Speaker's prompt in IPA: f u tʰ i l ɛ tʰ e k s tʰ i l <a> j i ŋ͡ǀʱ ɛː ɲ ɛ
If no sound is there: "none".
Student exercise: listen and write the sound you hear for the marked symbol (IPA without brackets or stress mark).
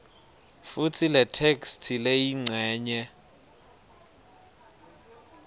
e